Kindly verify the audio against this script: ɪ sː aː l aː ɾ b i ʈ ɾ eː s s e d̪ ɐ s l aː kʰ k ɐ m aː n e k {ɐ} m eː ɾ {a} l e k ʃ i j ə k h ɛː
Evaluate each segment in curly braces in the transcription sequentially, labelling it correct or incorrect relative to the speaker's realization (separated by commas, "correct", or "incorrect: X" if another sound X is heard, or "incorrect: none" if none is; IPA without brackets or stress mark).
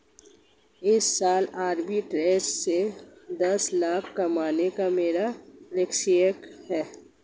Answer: incorrect: a, correct